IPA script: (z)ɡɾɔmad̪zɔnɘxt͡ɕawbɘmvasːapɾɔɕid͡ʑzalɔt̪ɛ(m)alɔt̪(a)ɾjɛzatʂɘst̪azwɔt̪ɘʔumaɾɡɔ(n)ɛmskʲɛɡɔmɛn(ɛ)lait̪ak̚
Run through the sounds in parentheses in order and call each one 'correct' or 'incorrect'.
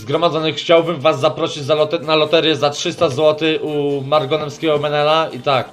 correct, incorrect: n, incorrect: ɛ, correct, correct

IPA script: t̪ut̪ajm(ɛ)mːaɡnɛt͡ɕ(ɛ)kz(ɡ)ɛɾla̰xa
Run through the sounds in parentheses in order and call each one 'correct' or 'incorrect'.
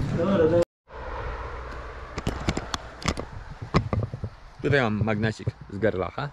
incorrect: a, incorrect: i, correct

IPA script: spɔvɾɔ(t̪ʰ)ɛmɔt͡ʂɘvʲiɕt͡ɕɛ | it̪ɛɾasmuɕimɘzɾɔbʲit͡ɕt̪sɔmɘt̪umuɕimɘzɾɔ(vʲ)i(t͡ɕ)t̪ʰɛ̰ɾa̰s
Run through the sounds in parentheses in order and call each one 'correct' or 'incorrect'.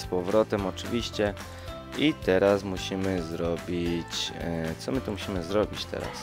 incorrect: t̪, incorrect: bʲ, correct

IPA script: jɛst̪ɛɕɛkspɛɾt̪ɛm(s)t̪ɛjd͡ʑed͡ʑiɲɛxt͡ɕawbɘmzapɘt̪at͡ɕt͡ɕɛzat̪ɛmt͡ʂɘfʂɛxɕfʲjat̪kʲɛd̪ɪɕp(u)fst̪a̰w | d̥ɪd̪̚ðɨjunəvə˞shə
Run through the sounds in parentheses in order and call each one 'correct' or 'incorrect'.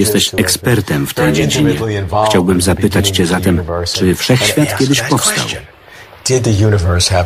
incorrect: f, incorrect: ɔ

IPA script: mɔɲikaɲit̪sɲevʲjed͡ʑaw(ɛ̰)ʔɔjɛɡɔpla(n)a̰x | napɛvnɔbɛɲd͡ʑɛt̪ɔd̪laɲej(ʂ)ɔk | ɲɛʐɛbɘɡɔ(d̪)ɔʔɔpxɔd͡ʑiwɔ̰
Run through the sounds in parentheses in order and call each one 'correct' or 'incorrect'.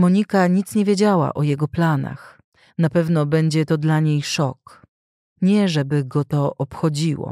incorrect: a̰, correct, correct, incorrect: t̪

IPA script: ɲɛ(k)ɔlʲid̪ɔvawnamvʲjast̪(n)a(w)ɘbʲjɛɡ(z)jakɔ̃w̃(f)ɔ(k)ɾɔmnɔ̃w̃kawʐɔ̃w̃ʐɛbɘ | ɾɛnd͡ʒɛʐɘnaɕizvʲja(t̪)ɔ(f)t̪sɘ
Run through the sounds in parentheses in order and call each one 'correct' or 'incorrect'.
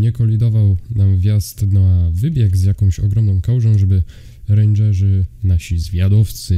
correct, correct, incorrect: v, correct, incorrect: ɕ, incorrect: ɡ, incorrect: d̪, correct

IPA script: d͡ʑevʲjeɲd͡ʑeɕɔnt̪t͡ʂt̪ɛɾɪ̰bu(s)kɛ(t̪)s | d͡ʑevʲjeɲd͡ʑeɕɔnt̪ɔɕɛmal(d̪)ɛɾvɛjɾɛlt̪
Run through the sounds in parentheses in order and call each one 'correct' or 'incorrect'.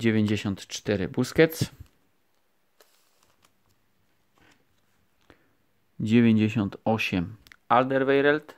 correct, correct, correct

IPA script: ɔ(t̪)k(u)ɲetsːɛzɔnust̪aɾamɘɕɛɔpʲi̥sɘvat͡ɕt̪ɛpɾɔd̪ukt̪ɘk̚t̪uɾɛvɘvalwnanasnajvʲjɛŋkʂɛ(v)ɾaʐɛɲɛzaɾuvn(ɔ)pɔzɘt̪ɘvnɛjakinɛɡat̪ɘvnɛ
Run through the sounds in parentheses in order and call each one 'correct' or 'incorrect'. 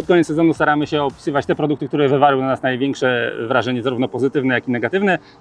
correct, incorrect: ɔ, correct, correct

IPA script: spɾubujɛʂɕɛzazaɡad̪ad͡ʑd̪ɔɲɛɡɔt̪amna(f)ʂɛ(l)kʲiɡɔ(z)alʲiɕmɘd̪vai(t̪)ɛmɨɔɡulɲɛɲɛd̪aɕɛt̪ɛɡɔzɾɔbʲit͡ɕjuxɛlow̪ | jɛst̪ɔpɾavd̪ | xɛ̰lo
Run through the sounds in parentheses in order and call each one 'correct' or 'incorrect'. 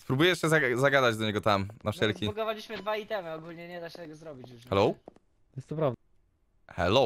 correct, correct, incorrect: v, correct

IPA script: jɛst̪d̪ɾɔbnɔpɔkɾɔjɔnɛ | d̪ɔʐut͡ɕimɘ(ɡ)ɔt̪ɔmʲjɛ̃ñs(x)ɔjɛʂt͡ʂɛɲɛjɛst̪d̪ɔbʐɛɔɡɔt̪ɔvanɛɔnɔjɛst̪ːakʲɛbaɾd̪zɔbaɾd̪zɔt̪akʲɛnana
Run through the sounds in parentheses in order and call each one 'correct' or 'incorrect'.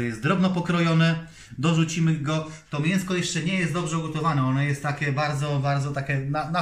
correct, incorrect: k

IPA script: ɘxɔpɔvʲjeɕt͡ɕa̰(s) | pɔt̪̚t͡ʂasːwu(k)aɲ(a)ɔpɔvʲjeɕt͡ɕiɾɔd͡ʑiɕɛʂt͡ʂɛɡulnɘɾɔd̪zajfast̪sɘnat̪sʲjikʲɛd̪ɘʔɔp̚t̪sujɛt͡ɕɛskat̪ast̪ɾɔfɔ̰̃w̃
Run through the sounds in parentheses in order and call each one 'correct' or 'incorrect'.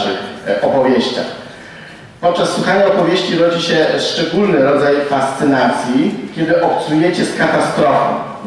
incorrect: x, incorrect: x, correct

